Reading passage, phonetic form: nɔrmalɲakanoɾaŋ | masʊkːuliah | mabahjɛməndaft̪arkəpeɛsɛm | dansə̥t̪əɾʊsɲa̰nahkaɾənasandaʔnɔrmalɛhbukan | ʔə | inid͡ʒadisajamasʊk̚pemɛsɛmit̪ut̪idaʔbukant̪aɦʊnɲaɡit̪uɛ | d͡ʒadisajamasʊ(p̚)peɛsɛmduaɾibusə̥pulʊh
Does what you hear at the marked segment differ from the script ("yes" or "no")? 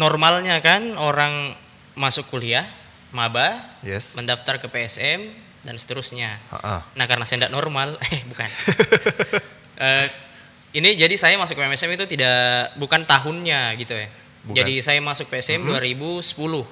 yes